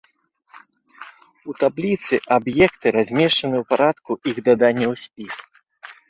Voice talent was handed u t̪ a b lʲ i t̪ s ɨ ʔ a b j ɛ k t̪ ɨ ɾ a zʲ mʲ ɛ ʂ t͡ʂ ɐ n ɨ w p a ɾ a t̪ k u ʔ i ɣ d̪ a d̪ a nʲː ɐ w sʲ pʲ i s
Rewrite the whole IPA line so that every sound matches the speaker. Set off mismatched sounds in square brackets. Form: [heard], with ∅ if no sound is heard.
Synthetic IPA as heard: u t̪ a b lʲ i t̪ s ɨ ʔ a b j ɛ k t̪ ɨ ɾ a zʲ mʲ ɛ ʂ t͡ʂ ɐ n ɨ w p a ɾ a t̪ k u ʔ i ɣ d̪ a d̪ a nʲː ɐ w sʲ pʲ i s